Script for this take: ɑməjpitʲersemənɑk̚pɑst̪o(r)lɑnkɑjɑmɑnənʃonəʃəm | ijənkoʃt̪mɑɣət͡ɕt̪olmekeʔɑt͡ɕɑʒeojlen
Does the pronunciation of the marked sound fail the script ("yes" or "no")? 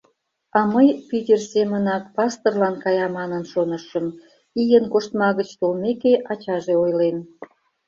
no